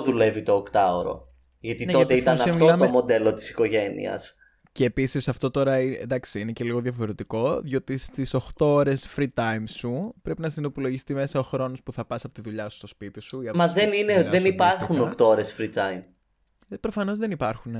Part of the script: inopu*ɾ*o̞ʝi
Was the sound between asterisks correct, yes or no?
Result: no